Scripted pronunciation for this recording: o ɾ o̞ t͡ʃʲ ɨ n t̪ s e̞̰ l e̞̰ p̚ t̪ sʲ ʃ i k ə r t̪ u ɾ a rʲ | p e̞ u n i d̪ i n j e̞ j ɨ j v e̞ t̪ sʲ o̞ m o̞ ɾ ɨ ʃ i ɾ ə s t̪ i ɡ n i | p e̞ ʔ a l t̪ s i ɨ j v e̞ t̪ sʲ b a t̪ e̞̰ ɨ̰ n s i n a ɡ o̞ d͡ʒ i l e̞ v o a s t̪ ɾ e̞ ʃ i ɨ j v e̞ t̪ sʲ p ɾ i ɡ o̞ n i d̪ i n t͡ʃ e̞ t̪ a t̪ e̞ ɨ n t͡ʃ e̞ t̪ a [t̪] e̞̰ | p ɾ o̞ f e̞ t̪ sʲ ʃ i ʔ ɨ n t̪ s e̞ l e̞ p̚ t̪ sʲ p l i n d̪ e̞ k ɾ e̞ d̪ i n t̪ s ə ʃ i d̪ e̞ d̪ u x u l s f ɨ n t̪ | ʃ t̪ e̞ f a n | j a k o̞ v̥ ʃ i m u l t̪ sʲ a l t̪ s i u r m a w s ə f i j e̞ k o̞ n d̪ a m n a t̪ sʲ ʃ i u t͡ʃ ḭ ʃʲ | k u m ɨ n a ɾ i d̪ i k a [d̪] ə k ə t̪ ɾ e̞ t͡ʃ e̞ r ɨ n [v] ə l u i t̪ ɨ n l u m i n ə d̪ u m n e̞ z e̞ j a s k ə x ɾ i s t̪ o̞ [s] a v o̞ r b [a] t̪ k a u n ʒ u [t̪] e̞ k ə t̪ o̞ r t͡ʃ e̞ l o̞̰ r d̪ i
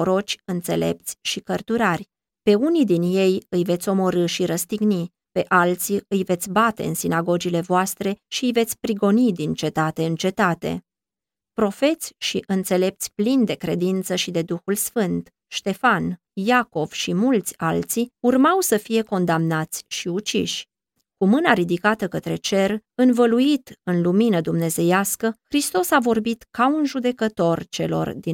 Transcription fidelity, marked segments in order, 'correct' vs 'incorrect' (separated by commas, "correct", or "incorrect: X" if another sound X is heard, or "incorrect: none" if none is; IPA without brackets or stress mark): correct, incorrect: t̪, correct, correct, incorrect: i, incorrect: d̪